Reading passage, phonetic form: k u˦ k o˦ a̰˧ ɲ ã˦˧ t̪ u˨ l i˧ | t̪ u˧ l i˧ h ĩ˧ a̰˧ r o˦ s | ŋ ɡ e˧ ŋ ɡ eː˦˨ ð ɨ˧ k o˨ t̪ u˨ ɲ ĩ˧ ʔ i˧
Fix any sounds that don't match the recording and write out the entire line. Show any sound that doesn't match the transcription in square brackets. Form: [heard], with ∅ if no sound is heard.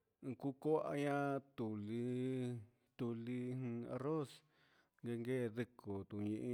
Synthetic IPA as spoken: k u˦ k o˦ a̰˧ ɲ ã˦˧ t̪ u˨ l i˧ | t̪ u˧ l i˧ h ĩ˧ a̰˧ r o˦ s | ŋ ɡ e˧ ŋ ɡ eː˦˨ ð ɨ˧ k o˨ t̪ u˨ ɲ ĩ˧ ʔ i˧